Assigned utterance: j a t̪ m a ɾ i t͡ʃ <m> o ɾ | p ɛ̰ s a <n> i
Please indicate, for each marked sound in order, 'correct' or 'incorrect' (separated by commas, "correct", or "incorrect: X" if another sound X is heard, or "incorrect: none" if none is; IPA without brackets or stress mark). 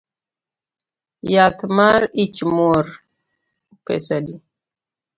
correct, incorrect: d